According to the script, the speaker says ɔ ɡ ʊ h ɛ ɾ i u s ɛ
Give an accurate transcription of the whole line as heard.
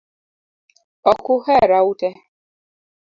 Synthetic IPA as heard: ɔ k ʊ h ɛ ɾ a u t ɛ